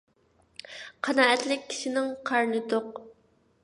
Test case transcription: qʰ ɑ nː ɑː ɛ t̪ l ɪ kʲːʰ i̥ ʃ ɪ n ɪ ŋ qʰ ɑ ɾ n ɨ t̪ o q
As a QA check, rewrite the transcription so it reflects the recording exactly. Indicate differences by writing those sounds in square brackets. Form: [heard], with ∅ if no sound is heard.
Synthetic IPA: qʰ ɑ [n] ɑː ɛ t̪ l ɪ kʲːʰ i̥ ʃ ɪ n ɪ ŋ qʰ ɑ ɾ n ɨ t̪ o q